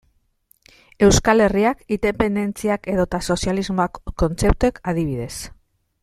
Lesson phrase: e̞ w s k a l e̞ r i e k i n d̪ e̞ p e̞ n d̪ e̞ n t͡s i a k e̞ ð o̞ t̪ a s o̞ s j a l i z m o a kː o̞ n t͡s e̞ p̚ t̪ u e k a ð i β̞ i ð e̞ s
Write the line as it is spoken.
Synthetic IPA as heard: e̞ w s k a l e̞ r i a k i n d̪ e̞ p e̞ n d̪ e̞ n t͡s i a k e̞ ð o̞ t̪ a s o̞ s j a l i z m o a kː o̞ n t͡s e̞ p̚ t̪ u e k a ð i β̞ i ð e̞ s